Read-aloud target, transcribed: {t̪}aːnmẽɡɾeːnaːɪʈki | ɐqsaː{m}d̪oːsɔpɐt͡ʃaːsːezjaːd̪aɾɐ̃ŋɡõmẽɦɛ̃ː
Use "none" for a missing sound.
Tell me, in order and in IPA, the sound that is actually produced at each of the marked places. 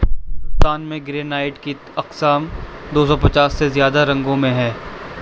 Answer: t̪, m

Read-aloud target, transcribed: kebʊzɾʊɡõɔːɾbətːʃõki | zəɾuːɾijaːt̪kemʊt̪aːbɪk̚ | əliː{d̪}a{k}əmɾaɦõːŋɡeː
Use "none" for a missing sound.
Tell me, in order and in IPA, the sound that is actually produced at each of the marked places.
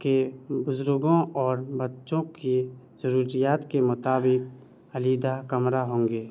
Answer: d̪, k

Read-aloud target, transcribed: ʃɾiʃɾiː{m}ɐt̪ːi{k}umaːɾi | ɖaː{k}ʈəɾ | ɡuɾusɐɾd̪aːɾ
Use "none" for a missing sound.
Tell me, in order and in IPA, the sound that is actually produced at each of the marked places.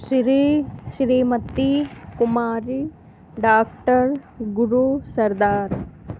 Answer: m, k, k

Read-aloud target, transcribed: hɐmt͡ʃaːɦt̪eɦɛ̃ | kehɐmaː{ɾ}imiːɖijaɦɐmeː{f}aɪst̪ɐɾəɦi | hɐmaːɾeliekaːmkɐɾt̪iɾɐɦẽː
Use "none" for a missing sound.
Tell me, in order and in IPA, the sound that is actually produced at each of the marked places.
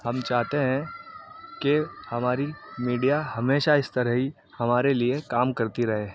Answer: ɾ, ʃ

